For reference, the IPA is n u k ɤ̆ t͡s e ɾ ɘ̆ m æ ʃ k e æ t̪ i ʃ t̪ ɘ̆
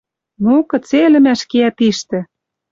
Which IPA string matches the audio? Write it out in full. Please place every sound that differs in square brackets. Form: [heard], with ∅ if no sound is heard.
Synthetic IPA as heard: n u k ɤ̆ t͡s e [l] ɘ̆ m æ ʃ k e æ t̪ i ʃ t̪ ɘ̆